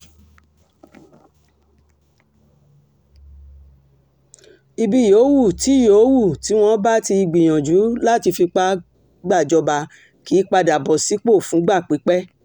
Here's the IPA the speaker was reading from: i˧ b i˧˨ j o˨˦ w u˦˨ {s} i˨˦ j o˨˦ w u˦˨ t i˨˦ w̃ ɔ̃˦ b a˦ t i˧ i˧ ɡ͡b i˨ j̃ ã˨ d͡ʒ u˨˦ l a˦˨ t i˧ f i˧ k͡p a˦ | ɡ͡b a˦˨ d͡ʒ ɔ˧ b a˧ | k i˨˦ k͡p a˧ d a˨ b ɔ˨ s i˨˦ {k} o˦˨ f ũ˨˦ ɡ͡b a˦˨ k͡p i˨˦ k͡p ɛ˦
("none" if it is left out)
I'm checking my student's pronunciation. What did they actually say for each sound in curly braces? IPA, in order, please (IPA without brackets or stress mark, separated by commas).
t, k͡p